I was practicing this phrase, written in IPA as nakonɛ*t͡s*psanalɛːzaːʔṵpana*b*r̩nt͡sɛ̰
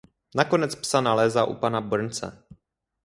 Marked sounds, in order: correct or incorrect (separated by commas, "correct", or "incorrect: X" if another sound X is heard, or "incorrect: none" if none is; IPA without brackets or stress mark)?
correct, correct